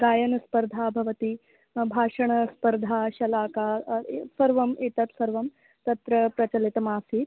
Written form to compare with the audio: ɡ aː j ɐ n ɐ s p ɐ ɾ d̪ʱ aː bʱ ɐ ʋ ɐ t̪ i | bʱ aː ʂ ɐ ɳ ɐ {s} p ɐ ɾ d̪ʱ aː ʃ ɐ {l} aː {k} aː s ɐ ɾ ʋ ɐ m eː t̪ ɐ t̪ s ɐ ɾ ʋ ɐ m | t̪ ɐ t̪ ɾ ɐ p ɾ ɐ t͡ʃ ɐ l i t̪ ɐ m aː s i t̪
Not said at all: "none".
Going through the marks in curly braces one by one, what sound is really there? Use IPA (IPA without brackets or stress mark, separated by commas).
s, l, k